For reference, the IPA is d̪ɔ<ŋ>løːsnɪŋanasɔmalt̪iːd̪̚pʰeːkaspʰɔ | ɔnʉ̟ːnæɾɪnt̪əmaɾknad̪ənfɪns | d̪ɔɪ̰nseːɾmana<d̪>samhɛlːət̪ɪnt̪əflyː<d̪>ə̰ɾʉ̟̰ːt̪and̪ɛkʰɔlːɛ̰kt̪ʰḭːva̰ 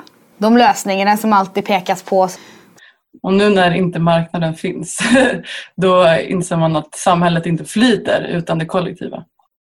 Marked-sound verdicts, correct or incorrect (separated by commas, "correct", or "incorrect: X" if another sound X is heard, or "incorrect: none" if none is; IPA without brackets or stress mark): incorrect: m, incorrect: t̪, incorrect: t̪